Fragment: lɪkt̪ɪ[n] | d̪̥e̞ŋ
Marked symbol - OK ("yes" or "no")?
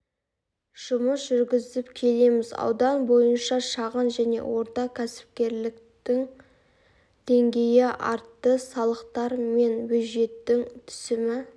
no